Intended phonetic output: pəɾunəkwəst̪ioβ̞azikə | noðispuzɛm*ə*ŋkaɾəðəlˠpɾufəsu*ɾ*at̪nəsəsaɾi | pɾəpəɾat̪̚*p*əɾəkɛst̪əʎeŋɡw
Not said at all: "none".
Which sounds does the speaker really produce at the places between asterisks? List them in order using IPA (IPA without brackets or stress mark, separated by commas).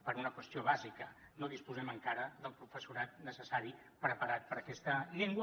ə, ɾ, p